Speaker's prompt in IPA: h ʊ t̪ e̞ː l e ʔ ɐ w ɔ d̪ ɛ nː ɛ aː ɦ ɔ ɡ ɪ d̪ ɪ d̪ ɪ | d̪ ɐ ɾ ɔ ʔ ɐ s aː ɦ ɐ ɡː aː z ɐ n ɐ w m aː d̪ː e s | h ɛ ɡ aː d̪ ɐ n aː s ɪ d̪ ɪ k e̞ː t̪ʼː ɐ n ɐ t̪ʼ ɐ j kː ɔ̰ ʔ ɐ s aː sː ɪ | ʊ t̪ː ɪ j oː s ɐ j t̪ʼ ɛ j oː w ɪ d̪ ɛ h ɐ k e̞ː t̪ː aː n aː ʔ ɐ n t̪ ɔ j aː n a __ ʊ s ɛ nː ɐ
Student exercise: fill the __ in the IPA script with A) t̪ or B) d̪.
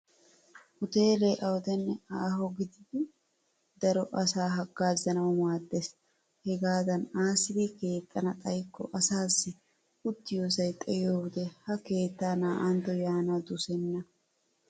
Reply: B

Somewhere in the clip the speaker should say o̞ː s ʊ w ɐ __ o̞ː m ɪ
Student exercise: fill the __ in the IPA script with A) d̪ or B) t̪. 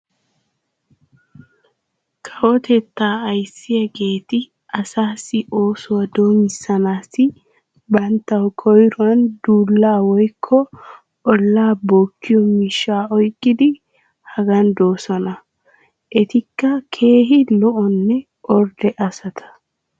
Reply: A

